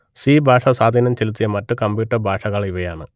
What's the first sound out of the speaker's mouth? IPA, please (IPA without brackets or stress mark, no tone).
s